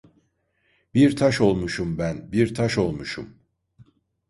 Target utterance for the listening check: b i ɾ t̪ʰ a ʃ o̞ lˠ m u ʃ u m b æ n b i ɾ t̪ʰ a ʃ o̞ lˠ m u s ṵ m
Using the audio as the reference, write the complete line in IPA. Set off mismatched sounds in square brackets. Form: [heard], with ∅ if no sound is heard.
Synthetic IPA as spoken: b i ɾ t̪ʰ a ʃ o̞ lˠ m u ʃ u m b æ n b i ɾ t̪ʰ a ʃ o̞ lˠ m u [ʃ] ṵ m